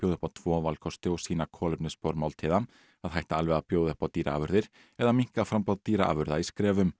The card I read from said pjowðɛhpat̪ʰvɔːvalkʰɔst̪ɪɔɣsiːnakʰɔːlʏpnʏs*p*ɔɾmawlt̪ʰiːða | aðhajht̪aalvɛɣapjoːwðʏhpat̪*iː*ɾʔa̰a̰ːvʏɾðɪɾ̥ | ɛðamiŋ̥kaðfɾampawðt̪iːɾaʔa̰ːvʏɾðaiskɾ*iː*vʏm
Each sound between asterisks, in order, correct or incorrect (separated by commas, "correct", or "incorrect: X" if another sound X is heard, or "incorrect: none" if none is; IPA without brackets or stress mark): correct, correct, incorrect: ɛː